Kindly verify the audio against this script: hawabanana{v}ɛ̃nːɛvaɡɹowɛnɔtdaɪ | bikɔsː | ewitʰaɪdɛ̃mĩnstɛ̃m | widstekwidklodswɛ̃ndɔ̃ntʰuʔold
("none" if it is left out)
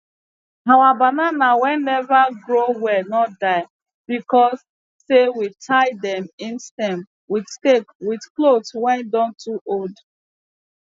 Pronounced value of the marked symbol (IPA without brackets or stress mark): w